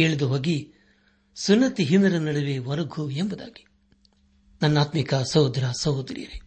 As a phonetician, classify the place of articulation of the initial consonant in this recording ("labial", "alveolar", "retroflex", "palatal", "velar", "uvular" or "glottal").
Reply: retroflex